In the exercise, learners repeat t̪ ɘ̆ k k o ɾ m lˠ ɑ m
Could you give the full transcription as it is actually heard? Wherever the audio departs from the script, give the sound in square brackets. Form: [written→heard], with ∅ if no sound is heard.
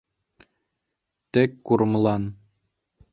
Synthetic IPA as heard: t̪ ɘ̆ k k [o→u] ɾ m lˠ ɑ [m→n]